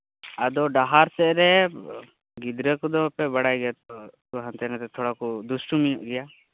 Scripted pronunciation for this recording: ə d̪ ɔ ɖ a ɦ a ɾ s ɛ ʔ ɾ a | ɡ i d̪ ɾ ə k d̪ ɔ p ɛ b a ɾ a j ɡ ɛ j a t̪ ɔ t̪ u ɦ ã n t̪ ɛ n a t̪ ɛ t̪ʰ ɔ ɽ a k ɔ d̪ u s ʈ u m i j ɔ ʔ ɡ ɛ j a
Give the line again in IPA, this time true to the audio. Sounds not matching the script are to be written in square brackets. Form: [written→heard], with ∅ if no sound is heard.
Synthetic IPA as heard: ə d̪ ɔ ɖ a ɦ a ɾ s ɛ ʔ ɾ [a→ɛ] | ɡ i d̪ ɾ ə k d̪ ɔ p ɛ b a [ɾ→ɽ] a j ɡ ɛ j a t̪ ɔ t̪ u ɦ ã n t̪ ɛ n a t̪ ɛ t̪ʰ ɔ ɽ a k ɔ d̪ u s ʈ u m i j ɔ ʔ ɡ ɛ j a

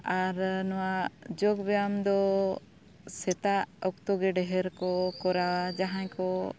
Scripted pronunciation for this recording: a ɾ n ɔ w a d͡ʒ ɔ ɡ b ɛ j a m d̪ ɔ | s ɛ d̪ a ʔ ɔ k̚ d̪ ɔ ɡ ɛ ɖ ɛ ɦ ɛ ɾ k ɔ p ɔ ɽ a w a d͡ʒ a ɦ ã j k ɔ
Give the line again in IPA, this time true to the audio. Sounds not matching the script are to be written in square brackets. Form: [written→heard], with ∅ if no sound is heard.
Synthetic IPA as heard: a ɾ n ɔ w a d͡ʒ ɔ ɡ b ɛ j a m d̪ ɔ | s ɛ [d̪→t̪] a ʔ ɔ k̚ [d̪→t̪] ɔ ɡ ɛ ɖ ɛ ɦ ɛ ɾ k ɔ [p→k] ɔ [ɽ→ɾ] a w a d͡ʒ a ɦ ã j k ɔ

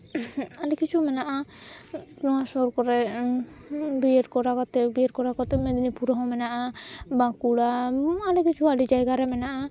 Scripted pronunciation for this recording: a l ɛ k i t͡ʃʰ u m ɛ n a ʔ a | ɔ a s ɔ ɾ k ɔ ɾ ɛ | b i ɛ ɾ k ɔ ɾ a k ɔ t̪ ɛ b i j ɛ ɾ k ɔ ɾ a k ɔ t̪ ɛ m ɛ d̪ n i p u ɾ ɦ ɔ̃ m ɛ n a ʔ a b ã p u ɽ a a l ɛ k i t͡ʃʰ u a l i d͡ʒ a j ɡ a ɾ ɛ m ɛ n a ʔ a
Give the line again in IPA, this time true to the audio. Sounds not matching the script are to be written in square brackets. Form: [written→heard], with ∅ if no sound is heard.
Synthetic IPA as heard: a l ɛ k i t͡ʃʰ u m ɛ n a ʔ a | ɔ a s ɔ ɾ k ɔ ɾ ɛ | b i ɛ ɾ k ɔ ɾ a k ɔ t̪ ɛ b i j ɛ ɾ k ɔ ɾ a k ɔ t̪ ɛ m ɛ d̪ n i p u ɾ ɦ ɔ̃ m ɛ n a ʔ a b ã [p→k] u ɽ a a l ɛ k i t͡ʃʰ u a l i d͡ʒ a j ɡ a ɾ ɛ m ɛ n a ʔ a

